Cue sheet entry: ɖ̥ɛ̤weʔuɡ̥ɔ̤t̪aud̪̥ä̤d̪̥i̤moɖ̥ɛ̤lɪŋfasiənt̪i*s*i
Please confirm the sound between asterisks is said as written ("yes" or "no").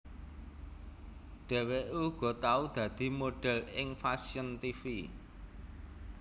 no